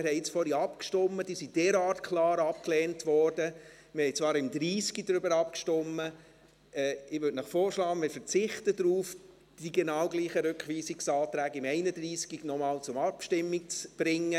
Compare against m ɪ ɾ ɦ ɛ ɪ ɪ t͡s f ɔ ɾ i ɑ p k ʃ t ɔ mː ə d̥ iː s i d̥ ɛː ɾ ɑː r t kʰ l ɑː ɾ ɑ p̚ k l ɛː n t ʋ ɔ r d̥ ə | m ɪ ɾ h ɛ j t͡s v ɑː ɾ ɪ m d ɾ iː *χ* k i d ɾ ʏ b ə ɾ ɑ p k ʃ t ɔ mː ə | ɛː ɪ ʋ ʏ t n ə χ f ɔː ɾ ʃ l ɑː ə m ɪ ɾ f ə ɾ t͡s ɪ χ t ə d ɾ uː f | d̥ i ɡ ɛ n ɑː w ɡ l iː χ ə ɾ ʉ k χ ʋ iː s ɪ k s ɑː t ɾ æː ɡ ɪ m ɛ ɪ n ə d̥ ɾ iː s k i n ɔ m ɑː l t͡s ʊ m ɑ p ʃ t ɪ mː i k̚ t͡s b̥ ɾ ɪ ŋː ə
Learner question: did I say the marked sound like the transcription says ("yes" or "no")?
no